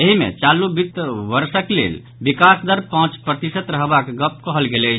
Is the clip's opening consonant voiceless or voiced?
voiced